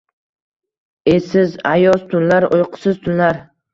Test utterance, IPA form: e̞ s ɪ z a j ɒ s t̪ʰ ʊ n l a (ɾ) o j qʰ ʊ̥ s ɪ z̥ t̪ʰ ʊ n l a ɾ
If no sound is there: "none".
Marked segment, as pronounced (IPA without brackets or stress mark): ɾ